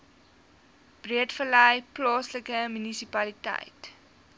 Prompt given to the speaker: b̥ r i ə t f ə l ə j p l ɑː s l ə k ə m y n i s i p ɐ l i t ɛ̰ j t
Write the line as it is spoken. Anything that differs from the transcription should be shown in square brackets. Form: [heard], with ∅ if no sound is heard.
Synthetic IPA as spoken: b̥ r i ə t f ə l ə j p l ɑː s l ə k ə m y n i s i p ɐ l i t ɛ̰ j t